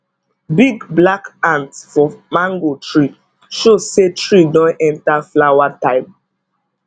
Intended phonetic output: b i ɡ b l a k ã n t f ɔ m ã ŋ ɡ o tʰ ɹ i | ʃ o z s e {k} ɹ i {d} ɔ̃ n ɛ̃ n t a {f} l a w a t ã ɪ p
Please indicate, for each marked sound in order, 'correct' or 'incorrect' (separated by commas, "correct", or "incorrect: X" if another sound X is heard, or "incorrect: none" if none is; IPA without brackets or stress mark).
incorrect: t, correct, correct